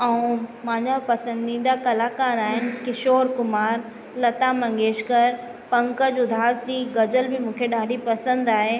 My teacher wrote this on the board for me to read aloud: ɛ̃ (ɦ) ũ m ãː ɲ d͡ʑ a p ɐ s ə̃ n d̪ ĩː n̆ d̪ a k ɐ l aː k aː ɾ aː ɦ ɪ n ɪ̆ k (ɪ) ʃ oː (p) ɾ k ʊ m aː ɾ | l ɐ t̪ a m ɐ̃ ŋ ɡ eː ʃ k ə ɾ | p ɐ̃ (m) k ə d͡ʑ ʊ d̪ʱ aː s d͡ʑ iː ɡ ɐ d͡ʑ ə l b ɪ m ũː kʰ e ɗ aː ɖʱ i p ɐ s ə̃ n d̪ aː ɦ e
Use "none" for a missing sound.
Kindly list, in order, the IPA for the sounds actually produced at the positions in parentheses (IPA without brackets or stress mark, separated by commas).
none, ɪ, none, ŋ